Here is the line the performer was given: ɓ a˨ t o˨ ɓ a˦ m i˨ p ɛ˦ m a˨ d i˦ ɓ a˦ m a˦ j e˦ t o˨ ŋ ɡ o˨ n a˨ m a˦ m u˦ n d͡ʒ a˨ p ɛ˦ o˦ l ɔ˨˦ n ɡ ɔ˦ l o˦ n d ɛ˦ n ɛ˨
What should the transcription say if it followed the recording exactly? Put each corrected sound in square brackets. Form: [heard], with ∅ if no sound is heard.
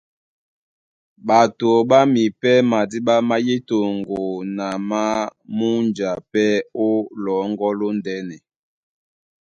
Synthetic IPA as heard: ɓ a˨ t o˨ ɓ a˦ m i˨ p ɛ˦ m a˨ d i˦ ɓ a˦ m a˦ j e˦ t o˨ ŋ ɡ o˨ n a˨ m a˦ m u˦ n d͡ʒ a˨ p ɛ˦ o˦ l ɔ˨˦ [ŋ] ɡ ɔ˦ l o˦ n d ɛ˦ n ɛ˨

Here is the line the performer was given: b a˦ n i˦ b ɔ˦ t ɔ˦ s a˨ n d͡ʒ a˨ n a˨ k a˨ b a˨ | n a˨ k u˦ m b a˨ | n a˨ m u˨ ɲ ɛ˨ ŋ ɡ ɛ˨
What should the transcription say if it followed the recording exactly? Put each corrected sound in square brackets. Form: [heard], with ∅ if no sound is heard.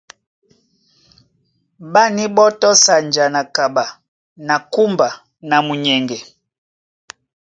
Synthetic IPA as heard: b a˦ n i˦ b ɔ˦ t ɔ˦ s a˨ n d͡ʒ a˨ n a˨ k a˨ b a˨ | n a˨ k u˦ m b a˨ | n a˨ m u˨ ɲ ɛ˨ ŋ ɡ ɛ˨

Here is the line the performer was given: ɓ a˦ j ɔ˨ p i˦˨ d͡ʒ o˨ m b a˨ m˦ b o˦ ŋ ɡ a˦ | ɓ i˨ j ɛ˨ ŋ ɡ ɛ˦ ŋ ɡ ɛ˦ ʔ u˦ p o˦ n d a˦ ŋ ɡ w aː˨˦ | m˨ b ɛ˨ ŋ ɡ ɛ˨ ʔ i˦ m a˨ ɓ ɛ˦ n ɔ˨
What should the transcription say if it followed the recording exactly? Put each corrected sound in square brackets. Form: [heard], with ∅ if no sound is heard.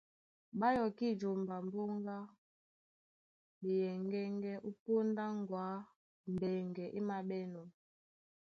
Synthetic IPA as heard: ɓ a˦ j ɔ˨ [k] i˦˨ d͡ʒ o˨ m b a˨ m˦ b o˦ ŋ ɡ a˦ | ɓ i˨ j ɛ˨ ŋ ɡ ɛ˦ ŋ ɡ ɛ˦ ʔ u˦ p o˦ n d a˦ ŋ ɡ w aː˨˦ | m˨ b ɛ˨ ŋ ɡ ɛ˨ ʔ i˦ m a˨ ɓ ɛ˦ n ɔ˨

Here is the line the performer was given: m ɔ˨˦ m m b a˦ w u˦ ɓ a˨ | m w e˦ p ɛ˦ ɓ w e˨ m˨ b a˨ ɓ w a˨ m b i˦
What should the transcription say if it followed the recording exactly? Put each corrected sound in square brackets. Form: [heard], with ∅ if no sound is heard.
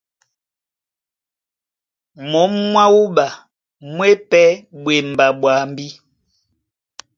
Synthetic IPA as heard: m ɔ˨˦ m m [w] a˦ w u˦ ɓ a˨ | m w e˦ p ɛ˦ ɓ w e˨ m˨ b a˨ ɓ w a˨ m b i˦

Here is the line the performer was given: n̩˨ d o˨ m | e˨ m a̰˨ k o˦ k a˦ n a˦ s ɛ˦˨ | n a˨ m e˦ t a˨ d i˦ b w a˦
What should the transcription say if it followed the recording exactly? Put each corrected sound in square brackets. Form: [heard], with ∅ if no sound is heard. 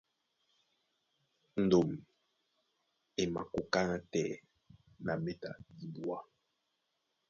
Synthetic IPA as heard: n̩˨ d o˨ m | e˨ m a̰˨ k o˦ k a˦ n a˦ [t] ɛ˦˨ | n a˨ m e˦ t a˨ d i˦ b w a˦

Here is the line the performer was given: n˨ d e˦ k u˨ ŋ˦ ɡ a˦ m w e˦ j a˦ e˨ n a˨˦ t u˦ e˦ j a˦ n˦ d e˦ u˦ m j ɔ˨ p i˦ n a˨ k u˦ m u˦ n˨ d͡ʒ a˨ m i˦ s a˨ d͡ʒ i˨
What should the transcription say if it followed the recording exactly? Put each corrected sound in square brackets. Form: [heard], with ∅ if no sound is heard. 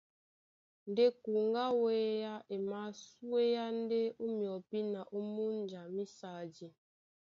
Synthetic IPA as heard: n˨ d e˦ k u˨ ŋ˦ ɡ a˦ [∅] w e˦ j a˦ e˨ [m] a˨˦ [s] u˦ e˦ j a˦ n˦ d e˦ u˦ m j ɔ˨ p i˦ n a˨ [ʔ] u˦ m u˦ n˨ d͡ʒ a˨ m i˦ s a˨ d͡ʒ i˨

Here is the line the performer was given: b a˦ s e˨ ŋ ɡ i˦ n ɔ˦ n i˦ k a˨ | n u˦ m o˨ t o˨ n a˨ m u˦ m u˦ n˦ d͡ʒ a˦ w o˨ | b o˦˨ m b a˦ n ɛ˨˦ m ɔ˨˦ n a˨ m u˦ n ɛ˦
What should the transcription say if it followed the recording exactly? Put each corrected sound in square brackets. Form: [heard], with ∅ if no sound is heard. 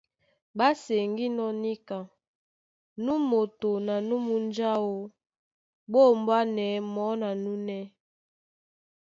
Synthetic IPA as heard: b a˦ s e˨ ŋ ɡ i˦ n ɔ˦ n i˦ k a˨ | n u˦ m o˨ t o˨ n a˨ [n] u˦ m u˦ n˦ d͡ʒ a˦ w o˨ | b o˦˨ m b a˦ n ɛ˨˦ m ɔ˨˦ n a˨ [n] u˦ n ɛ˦

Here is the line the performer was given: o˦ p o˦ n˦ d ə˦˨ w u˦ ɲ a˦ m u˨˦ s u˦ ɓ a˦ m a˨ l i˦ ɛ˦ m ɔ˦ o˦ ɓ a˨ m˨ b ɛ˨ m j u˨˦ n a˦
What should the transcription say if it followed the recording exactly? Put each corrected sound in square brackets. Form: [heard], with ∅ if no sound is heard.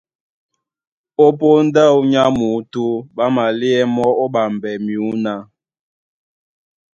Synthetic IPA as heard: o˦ p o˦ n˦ d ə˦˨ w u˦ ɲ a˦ m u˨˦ [t] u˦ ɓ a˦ m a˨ l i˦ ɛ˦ m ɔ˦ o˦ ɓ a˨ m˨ b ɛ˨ m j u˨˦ n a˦

